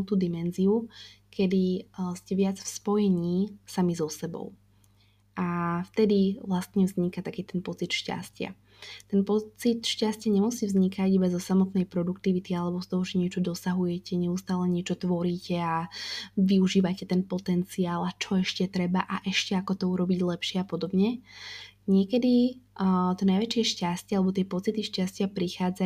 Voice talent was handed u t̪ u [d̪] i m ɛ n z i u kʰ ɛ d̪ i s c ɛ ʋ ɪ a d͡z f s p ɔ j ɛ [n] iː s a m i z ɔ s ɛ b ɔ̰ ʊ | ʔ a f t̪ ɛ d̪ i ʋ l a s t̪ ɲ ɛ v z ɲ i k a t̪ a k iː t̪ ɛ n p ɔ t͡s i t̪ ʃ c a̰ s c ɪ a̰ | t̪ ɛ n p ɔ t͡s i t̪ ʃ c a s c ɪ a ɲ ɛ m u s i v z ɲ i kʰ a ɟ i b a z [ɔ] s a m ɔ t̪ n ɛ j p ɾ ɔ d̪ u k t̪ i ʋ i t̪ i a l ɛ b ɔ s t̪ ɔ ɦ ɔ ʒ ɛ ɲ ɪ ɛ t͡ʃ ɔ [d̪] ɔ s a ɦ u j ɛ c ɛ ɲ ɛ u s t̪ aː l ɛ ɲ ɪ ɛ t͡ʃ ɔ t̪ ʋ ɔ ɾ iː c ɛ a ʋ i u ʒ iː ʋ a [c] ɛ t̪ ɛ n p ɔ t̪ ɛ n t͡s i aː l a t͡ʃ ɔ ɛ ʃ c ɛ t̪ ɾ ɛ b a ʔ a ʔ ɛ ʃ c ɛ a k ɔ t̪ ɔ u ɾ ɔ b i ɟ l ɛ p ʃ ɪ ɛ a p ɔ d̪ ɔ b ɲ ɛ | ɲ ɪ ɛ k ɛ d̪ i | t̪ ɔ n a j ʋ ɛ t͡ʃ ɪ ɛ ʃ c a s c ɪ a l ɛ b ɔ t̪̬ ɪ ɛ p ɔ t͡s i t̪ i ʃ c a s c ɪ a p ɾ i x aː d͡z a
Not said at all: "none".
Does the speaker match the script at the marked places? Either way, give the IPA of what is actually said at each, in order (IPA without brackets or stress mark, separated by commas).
d̪, ɲ, ɔ, d̪, c